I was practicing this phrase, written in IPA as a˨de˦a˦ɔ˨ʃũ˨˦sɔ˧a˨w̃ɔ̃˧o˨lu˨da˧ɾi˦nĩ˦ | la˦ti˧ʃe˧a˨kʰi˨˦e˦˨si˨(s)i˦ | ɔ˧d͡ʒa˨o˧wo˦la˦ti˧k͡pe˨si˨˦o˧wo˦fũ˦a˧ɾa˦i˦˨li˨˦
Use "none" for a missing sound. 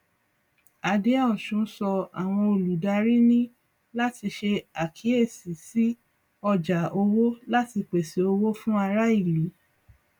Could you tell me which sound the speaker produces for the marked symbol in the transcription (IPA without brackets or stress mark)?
s